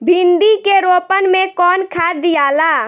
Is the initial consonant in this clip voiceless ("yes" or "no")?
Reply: no